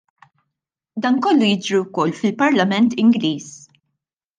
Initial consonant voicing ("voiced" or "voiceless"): voiced